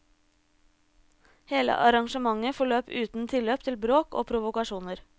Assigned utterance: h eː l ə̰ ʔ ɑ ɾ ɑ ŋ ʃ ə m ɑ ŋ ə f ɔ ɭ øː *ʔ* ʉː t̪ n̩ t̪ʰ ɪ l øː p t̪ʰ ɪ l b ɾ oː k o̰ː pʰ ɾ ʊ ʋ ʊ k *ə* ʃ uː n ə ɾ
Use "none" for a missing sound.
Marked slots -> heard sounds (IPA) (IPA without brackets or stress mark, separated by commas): p, ɑ